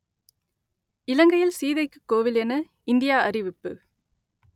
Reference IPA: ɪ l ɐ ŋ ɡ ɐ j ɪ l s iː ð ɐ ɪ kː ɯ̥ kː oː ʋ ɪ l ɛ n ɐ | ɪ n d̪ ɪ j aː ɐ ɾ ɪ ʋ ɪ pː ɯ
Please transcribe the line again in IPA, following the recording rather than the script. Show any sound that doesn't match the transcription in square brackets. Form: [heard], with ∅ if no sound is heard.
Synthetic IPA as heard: ɪ l ɐ ŋ ɡ ɐ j ɪ l s iː ð ɐ ɪ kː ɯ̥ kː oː ʋ ɪ l ɛ n ɐ | ɪ n d̪ ɪ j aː ɐ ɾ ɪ ʋ ɪ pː ɯ